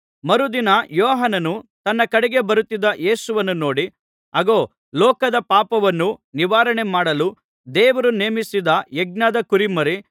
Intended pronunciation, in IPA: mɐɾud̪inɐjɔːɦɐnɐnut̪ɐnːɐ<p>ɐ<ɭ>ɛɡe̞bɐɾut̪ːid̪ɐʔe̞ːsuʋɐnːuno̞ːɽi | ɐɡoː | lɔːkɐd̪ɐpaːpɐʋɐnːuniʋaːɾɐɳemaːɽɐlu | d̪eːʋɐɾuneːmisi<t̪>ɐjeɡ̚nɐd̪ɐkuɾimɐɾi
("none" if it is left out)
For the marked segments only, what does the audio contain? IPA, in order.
k, ɽ, d̪

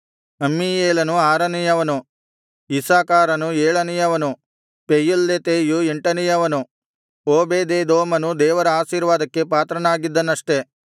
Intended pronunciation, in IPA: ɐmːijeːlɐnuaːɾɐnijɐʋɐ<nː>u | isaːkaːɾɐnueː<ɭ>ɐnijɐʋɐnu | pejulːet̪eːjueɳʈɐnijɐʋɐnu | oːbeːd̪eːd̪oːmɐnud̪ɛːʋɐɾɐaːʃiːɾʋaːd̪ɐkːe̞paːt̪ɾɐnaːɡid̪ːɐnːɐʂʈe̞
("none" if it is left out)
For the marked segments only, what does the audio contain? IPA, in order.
n, ɭ

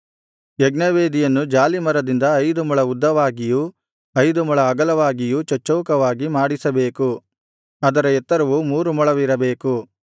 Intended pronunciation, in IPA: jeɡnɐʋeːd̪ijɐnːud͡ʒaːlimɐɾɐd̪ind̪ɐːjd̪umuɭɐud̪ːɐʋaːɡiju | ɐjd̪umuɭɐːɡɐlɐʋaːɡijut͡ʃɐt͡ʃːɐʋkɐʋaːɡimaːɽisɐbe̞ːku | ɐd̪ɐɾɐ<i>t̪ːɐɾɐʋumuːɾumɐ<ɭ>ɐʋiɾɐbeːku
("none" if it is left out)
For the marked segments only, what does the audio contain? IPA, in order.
ɛ, ɭ

